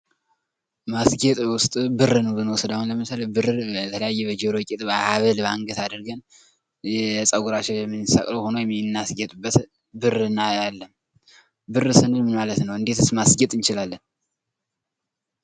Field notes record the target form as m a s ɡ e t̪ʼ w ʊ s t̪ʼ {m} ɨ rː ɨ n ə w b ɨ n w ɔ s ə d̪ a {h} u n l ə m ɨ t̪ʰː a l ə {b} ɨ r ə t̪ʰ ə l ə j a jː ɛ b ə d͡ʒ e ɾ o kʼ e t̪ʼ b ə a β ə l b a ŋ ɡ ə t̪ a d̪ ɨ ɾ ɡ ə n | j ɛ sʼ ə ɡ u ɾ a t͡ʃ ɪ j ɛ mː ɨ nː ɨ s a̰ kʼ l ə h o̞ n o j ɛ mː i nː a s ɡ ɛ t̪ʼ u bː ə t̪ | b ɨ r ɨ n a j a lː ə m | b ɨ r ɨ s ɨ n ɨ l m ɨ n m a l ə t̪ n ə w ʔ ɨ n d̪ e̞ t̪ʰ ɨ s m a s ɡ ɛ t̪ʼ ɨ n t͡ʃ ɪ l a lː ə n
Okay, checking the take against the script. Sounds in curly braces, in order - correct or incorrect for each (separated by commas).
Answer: incorrect, correct, correct